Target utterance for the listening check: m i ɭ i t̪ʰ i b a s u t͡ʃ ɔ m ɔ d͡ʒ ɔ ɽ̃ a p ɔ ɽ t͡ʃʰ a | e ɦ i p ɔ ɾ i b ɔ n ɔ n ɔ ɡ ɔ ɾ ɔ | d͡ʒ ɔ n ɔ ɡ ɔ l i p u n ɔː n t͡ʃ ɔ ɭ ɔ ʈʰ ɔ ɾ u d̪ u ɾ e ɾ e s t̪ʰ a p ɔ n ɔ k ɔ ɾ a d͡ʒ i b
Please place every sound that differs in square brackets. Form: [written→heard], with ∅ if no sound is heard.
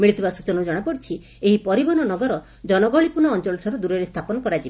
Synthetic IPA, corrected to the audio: m i ɭ i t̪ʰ i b a s u t͡ʃ ɔ [m→n] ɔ d͡ʒ ɔ ɽ̃ a p ɔ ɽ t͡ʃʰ [a→i] | e ɦ i p ɔ ɾ i b ɔ n ɔ n ɔ ɡ ɔ ɾ ɔ | d͡ʒ ɔ n ɔ ɡ ɔ [l→ɭ] i p u n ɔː n t͡ʃ ɔ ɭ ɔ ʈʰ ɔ ɾ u d̪ u ɾ e ɾ e s t̪ʰ a p ɔ n ɔ k ɔ ɾ a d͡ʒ i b